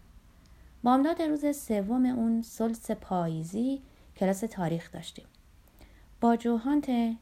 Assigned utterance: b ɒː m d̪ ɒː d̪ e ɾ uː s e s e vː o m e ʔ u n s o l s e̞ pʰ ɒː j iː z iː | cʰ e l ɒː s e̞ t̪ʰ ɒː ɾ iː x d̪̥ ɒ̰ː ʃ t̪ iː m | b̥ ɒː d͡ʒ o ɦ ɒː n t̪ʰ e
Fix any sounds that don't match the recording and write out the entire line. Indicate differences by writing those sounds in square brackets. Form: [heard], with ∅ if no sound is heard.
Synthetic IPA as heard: b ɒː m d̪ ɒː d̪ e ɾ uː [z] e s e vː o m e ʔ u n s o l s e̞ pʰ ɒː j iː z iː | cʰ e l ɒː s e̞ t̪ʰ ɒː ɾ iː x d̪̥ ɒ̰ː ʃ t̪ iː m | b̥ ɒː d͡ʒ o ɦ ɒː n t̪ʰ e